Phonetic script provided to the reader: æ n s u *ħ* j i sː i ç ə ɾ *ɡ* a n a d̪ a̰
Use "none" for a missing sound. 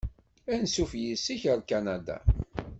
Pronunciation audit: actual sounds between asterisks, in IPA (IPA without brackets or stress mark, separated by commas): f, k